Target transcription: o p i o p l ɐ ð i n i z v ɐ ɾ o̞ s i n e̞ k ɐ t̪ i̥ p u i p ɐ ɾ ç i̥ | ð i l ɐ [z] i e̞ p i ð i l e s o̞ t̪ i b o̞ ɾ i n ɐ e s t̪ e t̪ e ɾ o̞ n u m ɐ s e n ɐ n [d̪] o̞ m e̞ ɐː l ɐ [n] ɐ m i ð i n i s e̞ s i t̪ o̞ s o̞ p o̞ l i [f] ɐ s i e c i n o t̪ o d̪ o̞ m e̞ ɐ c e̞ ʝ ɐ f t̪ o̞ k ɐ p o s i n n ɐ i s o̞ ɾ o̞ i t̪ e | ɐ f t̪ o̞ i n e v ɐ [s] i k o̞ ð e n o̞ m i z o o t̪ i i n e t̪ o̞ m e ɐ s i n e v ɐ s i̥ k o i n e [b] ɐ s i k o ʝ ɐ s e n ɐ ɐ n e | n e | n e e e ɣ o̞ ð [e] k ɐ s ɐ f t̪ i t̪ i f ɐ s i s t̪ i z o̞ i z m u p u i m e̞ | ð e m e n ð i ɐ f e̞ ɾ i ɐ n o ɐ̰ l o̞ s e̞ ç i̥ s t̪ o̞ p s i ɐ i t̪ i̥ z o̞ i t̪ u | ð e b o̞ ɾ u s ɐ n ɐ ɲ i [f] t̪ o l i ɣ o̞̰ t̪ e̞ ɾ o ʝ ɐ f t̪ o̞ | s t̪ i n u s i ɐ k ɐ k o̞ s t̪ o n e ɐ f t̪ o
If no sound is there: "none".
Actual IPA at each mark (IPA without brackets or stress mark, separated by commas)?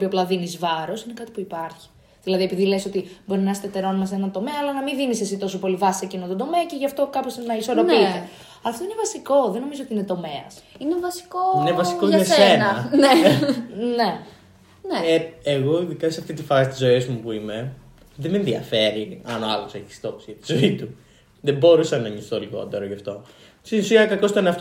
ð, t̪, n, v, s, v, i, s